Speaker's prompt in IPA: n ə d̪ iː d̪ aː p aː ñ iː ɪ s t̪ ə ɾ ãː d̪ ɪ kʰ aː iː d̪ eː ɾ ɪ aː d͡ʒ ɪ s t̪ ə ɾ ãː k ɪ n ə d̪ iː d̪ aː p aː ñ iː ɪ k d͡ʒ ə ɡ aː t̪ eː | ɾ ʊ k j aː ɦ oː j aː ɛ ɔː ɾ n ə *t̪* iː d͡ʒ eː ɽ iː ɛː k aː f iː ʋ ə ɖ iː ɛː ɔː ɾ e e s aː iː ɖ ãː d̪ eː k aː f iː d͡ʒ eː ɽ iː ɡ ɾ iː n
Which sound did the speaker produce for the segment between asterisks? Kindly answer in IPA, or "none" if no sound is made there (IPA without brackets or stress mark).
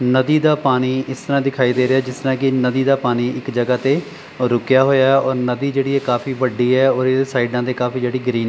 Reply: d̪